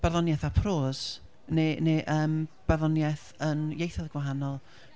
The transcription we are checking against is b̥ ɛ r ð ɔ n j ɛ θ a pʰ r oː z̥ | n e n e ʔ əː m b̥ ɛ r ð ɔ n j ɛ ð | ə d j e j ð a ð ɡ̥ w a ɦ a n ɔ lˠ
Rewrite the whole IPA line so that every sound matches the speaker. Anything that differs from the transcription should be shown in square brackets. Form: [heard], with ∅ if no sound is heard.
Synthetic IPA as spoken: b̥ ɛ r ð ɔ n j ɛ θ a pʰ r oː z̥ | n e n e ʔ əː m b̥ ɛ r ð ɔ n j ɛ [θ] | ə [n] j e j [θ] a ð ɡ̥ w a ɦ a n ɔ lˠ